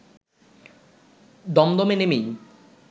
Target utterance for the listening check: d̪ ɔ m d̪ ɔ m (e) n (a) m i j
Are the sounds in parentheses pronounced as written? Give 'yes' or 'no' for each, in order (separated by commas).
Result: yes, no